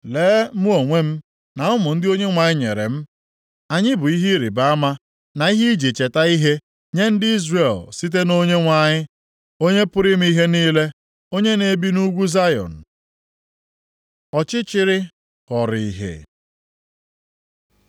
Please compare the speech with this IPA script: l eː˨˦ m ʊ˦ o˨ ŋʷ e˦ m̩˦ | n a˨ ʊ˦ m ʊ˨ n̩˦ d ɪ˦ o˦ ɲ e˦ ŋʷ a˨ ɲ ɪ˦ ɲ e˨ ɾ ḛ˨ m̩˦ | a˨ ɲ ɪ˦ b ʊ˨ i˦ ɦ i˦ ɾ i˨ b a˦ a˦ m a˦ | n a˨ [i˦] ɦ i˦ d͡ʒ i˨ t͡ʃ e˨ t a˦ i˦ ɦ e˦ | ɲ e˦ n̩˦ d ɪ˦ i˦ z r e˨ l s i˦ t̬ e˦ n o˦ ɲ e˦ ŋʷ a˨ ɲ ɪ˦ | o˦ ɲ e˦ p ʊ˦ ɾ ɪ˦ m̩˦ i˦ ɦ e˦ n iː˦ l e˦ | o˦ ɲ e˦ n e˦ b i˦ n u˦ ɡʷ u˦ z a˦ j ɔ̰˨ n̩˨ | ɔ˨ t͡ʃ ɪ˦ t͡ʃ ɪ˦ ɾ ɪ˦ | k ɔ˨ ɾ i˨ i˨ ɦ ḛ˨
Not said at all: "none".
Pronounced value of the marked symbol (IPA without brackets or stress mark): i˦